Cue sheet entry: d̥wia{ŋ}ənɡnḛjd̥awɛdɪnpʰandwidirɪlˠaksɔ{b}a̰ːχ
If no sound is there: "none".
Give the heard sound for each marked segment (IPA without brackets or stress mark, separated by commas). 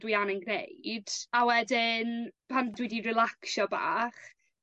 n, b